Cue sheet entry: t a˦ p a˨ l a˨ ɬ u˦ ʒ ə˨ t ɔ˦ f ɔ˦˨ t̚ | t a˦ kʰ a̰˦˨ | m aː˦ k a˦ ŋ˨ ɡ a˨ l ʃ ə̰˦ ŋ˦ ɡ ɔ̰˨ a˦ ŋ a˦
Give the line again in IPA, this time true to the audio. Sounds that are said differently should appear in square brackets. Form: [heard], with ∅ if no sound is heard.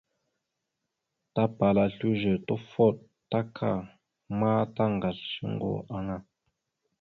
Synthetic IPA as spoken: t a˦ p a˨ l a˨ ɬ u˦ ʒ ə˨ t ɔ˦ f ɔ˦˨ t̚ | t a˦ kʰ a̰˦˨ | m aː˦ [t] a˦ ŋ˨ ɡ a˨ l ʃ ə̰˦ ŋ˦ ɡ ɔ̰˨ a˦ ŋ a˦